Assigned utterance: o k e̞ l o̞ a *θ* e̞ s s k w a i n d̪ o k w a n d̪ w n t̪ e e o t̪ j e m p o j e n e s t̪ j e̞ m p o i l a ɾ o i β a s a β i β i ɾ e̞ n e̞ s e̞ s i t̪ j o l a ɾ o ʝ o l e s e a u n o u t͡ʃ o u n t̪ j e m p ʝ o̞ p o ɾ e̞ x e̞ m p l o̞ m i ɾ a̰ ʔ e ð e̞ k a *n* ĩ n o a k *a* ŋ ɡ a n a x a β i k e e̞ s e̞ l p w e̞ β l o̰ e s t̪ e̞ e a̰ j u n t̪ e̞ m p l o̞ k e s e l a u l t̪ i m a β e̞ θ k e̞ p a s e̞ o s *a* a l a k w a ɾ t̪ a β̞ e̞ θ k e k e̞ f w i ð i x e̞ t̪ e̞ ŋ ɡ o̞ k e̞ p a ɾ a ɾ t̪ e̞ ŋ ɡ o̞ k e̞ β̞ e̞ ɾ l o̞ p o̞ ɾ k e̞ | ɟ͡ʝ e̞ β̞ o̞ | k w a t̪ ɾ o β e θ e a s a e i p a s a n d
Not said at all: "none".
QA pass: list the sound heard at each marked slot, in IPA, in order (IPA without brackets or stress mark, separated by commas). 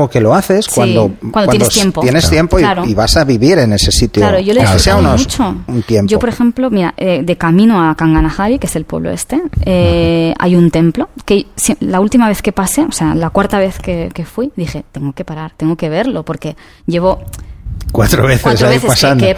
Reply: θ, m, a, e